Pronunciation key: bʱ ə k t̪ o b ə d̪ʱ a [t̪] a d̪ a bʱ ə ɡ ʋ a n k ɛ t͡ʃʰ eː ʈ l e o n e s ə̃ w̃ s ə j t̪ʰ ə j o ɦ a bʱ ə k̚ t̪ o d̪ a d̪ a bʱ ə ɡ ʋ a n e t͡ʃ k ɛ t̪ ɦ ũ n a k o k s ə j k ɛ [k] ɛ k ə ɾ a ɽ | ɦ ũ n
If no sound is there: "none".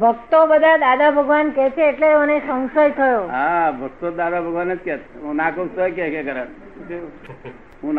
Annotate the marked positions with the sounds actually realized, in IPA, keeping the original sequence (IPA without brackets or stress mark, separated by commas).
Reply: d̪, k